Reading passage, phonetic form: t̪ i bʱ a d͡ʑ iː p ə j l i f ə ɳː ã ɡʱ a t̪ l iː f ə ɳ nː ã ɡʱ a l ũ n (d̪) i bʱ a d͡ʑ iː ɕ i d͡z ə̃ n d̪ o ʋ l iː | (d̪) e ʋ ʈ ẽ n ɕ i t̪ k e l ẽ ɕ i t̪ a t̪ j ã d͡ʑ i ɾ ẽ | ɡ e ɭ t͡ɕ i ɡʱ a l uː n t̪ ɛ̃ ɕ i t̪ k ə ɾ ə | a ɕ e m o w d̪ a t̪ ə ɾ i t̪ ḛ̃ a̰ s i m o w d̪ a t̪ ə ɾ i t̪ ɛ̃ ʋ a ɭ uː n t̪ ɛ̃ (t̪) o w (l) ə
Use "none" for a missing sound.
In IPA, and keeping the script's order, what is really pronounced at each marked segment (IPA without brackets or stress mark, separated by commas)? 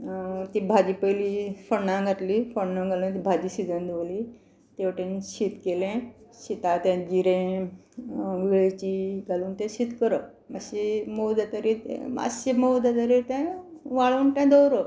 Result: t̪, t̪, d̪, ɾ